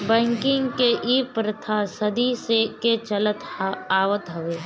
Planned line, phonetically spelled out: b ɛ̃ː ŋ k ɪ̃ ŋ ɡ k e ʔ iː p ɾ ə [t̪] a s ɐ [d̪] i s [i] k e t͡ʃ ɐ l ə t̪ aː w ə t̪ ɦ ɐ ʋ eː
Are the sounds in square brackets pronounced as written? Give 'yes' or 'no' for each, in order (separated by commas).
no, yes, no